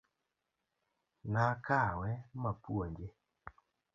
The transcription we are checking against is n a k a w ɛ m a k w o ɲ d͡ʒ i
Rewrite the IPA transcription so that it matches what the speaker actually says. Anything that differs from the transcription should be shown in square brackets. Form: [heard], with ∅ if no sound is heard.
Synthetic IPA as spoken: n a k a w ɛ m a [p] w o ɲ d͡ʒ [e]

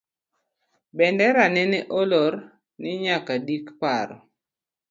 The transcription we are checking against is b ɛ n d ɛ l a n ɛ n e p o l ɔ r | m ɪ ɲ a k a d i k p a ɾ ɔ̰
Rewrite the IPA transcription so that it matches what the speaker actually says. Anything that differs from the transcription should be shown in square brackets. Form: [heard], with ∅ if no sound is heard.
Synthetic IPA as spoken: b ɛ n d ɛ [ɾ] a n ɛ n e [ʔ] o l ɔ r | [n] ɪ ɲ a k a d i k p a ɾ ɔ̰

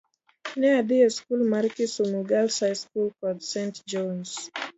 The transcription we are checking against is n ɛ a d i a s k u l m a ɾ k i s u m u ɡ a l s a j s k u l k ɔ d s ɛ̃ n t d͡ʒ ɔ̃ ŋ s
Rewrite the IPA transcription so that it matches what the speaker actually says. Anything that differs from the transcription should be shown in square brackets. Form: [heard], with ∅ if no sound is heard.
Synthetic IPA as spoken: n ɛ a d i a s k u l m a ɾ k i s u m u ɡ a l s a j s k u l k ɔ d s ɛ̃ n t d͡ʒ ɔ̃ [n] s

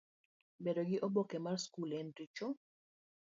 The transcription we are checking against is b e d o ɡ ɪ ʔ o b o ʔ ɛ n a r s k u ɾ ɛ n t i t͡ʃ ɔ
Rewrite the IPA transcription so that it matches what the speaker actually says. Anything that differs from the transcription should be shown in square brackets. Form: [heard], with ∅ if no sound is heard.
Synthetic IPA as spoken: b e d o ɡ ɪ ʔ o b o [k] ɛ [m] a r s k u [l] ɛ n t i t͡ʃ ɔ

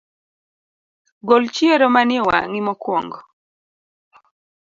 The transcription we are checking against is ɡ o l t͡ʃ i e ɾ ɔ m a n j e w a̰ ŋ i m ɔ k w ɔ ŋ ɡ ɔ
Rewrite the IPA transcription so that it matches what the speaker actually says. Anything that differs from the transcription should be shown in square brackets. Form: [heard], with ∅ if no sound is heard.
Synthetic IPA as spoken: ɡ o l t͡ʃ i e ɾ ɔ m a n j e w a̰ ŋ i m ɔ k w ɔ ŋ ɡ ɔ

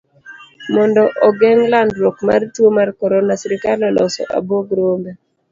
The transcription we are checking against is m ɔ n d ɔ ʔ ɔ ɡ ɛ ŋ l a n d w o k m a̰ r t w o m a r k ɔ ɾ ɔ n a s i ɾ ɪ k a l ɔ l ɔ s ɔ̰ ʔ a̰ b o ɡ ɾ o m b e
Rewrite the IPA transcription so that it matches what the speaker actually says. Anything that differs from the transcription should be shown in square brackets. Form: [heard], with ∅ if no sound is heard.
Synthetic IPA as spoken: m ɔ n d ɔ ʔ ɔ ɡ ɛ ŋ l a n d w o k m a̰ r t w o m a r k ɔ ɾ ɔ n a s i ɾ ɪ k a l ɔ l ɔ s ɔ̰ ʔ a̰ b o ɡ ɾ o m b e

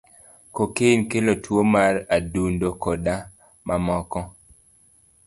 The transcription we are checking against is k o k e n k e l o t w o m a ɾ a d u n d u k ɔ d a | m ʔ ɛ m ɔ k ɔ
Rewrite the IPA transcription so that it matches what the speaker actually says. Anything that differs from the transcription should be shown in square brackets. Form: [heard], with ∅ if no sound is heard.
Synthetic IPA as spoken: k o k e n k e l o t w o m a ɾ a d u n d [o] k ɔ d a | m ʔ [a] m ɔ k ɔ

